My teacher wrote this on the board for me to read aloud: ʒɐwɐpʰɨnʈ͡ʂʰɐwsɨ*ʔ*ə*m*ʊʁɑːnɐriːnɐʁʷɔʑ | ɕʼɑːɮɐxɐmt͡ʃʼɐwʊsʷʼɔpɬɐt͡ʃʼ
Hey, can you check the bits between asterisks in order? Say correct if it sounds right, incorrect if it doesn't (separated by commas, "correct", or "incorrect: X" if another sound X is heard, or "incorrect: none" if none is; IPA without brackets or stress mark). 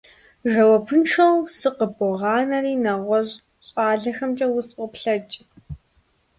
incorrect: q, incorrect: b